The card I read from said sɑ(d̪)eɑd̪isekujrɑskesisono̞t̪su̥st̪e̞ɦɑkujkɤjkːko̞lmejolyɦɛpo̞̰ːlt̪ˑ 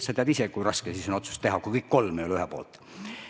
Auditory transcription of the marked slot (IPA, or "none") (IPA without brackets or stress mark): t̪